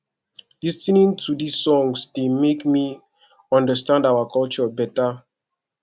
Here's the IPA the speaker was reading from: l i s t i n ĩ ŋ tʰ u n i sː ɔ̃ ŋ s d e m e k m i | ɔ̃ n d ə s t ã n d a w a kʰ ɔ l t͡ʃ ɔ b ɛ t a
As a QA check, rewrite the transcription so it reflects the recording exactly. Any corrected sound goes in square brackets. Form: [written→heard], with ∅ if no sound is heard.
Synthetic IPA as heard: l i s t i n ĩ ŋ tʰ u [n→d] i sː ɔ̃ ŋ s d e m e k m i | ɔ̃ n d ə s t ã n d a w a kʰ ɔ l t͡ʃ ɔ b ɛ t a